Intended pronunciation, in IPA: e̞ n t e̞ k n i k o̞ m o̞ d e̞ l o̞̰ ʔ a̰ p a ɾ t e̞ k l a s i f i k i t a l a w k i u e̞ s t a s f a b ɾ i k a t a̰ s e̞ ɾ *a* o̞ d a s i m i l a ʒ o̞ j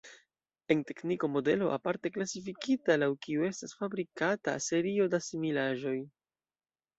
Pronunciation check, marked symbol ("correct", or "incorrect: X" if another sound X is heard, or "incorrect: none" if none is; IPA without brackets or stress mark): incorrect: i